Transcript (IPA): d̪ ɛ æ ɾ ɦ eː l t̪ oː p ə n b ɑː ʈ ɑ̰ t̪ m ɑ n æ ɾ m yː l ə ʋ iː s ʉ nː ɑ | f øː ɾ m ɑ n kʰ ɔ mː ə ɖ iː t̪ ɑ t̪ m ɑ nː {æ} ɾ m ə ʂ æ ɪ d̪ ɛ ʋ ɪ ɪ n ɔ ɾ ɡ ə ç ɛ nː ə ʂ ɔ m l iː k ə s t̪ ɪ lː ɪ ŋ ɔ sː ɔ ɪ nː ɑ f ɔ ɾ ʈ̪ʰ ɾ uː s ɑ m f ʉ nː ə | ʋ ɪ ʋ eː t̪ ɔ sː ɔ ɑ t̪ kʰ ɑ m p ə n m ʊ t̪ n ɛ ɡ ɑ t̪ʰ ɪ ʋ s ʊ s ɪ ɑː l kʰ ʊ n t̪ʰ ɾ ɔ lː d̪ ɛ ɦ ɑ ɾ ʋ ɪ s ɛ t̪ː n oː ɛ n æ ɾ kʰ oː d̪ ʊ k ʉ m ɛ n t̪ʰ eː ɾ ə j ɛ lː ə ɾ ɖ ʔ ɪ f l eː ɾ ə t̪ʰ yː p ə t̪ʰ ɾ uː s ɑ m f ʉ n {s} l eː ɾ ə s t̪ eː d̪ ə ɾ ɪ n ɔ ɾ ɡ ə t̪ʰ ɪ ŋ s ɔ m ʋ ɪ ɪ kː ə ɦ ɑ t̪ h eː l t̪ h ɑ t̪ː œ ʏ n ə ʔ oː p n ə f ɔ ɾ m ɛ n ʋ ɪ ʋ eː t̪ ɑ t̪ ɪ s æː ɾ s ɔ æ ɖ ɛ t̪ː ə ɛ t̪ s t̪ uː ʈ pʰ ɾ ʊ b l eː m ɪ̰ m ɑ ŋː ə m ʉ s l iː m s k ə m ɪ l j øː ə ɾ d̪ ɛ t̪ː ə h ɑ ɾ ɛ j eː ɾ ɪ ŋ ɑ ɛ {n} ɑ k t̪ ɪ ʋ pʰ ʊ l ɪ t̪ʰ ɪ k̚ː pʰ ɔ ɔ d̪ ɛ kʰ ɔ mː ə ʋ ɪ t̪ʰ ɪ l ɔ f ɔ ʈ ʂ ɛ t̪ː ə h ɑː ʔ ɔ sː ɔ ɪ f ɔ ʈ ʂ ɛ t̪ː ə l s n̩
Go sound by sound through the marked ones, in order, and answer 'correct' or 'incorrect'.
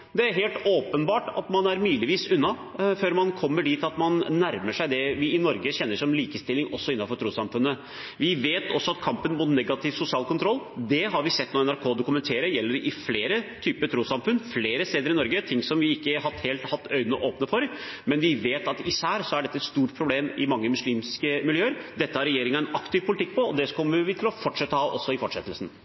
correct, incorrect, correct

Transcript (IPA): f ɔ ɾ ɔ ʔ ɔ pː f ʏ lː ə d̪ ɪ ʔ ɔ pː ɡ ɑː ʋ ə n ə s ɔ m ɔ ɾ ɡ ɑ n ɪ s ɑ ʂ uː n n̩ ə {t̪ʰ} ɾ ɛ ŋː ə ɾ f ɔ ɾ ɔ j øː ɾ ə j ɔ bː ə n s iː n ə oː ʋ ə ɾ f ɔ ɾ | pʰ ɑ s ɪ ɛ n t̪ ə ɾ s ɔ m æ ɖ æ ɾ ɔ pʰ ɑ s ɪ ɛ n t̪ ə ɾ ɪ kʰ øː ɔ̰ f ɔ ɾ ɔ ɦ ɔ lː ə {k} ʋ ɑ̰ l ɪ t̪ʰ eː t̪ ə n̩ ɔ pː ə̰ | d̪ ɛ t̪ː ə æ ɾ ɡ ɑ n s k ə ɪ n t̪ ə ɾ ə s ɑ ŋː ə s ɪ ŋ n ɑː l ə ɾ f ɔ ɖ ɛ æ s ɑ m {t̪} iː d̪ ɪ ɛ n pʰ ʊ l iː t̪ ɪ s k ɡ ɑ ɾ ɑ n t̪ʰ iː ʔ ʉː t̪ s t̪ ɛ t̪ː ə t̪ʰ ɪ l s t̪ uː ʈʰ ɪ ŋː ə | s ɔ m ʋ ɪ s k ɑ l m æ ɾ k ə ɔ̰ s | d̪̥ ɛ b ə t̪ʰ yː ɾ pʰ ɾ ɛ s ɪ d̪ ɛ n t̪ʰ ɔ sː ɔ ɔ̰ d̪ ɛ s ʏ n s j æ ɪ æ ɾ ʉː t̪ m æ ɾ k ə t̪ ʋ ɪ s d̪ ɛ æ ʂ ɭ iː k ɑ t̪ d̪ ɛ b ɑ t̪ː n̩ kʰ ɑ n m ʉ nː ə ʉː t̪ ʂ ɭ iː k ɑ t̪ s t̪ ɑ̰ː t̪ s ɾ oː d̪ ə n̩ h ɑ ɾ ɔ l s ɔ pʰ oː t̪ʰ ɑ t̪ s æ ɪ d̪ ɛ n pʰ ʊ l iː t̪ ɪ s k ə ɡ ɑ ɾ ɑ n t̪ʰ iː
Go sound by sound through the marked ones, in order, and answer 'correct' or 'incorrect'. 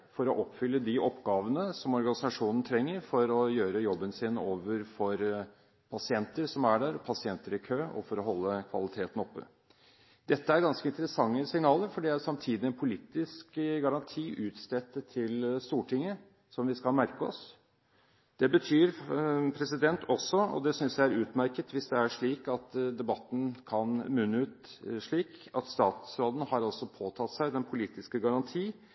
correct, incorrect, incorrect

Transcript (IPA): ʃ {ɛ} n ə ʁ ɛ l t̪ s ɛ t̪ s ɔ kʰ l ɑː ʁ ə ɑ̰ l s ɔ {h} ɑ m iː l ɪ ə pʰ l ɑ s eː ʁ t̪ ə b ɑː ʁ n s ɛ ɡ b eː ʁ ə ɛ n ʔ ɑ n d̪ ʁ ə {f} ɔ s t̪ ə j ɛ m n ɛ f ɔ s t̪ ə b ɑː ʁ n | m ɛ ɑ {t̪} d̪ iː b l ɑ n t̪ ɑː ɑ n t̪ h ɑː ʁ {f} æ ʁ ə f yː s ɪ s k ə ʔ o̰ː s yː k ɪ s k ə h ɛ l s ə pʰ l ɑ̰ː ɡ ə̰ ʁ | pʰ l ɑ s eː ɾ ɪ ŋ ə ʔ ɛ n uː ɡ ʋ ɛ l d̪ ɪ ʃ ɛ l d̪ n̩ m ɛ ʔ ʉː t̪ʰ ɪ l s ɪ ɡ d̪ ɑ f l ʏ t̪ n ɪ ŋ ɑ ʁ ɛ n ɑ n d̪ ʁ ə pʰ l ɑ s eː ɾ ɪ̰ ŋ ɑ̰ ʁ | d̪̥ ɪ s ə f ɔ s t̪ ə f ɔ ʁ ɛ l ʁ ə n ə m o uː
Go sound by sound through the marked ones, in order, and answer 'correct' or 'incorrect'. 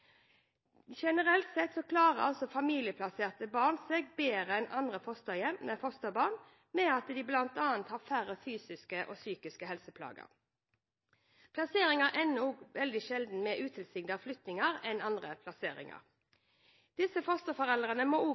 correct, incorrect, correct, correct, correct

